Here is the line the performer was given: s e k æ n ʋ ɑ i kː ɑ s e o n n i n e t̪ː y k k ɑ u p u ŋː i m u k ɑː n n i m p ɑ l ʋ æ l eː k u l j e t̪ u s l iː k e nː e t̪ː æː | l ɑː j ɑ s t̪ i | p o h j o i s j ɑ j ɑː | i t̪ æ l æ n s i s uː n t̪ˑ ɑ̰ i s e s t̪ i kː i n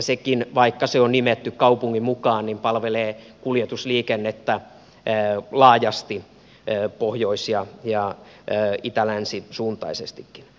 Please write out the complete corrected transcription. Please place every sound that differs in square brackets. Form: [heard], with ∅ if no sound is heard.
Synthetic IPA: s e k [i] n ʋ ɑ i kː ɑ s e o n n i [m] e t̪ː y k k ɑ u p u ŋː i m u k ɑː n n i m p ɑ l ʋ [e] l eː k u l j e t̪ u s l iː k e nː e t̪ː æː | l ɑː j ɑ s t̪ i | p o h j o i s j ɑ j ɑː | i t̪ æ l æ n s i s uː n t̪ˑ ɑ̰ i s e s t̪ i kː i n

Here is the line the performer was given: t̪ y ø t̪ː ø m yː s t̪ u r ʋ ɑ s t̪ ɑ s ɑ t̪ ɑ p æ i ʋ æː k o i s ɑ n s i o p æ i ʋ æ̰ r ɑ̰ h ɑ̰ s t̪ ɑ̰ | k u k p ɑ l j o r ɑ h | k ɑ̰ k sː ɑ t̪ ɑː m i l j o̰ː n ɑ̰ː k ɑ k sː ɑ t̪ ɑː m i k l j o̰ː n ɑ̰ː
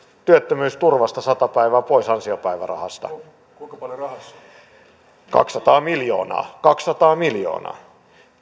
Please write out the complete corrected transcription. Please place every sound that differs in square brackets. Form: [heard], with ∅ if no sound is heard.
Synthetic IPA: t̪ y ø t̪ː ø m yː s t̪ u r ʋ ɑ s t̪ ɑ s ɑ t̪ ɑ p æ i ʋ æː [p] o i s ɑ n s i o p æ i ʋ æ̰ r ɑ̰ h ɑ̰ s t̪ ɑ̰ | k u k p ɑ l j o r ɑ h | k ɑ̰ k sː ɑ t̪ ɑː m i l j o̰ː n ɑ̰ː k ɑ k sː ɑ t̪ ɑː m i [∅] l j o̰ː n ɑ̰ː

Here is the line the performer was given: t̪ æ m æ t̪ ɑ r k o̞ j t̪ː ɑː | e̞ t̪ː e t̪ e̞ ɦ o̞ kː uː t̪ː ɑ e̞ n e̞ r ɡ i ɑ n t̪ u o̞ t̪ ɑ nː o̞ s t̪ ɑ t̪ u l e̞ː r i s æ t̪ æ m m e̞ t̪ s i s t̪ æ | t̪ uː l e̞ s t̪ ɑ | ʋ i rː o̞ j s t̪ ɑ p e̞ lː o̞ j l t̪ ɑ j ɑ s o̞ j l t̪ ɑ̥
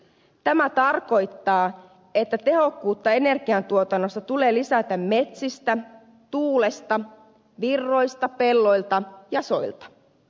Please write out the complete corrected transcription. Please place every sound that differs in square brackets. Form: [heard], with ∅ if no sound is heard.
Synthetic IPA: t̪ æ m æ t̪ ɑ r k o̞ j t̪ː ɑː | e̞ t̪ː [æ] t̪ e̞ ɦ o̞ kː uː t̪ː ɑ e̞ n e̞ r ɡ i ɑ n t̪ u o̞ t̪ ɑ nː o̞ s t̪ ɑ t̪ u l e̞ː [l] i s æ t̪ æ m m e̞ t̪ s i s t̪ æ | t̪ uː l e̞ s t̪ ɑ | ʋ i rː o̞ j s t̪ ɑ p e̞ lː o̞ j l t̪ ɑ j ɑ s o̞ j l t̪ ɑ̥

